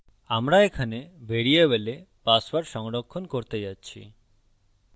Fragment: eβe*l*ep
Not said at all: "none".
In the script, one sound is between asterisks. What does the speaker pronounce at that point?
l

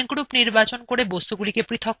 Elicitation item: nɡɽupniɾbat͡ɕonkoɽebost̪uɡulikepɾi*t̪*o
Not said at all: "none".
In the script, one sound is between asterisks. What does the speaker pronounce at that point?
t̪ʰ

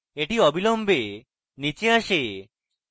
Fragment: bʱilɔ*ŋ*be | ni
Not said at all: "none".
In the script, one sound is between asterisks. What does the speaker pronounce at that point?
m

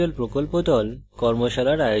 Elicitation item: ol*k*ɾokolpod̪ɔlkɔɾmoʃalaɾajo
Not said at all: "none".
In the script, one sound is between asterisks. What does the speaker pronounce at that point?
p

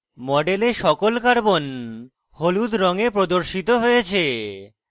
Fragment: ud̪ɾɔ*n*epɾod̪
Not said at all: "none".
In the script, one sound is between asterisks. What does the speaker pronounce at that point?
ŋ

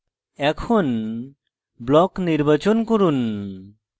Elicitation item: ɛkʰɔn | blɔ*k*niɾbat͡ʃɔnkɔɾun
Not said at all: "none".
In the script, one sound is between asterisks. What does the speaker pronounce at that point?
k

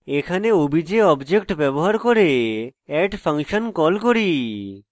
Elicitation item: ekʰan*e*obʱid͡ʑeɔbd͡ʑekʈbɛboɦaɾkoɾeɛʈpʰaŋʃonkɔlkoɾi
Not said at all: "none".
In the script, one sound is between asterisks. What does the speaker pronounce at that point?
e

